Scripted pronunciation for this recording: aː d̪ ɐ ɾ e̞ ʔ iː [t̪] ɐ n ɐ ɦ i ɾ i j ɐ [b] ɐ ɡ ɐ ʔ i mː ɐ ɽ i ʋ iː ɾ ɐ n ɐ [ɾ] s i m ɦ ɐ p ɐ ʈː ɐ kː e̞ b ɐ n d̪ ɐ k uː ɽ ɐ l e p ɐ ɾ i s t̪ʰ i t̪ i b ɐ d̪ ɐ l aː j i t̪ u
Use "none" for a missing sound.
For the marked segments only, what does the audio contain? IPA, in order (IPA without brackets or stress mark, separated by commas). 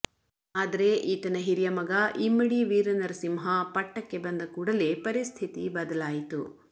t̪, m, ɾ